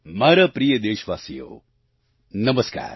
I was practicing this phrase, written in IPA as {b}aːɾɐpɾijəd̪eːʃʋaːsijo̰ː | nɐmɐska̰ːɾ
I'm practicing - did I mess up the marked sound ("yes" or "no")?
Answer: yes